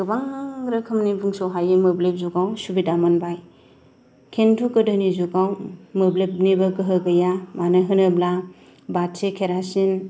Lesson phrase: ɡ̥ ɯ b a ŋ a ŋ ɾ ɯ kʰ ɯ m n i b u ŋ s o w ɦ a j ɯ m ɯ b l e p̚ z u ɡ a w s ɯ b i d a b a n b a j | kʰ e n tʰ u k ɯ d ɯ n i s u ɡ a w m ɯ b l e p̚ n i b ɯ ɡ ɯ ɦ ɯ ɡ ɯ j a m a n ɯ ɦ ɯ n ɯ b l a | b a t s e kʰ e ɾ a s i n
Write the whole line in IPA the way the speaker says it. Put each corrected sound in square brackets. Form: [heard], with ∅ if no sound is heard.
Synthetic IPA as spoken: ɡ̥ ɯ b a ŋ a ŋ ɾ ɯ kʰ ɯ m n i b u ŋ s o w ɦ a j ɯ m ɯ b l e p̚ z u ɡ a w s [u] b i d a [m] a n b a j | kʰ e n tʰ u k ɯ d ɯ n i [z] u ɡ a w m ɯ b l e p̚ n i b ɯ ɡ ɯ ɦ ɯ ɡ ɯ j a m a n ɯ ɦ ɯ n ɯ b l a | b a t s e kʰ e ɾ a s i n